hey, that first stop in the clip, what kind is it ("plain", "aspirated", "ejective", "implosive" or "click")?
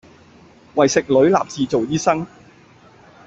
plain